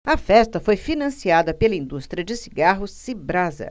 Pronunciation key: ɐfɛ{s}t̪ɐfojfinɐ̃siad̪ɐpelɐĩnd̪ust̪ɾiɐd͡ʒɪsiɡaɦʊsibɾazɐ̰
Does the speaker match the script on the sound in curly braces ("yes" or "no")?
yes